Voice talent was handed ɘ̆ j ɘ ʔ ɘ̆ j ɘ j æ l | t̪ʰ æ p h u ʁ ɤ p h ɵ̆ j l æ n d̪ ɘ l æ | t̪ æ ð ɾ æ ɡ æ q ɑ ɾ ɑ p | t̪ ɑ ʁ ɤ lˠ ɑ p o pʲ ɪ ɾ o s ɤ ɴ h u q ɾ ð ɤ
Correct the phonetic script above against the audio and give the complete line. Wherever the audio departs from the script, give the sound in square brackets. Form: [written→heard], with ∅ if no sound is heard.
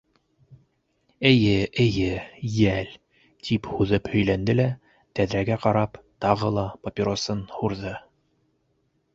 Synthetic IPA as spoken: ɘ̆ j ɘ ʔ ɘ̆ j ɘ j æ l | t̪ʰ [æ→i] p h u [ʁ→ð] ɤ p h ɵ̆ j l æ n d̪ ɘ l æ | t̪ æ ð ɾ æ ɡ æ q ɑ ɾ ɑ p | t̪ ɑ ʁ ɤ lˠ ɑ p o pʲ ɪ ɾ o s ɤ [ɴ→n] h u [q→∅] ɾ ð ɤ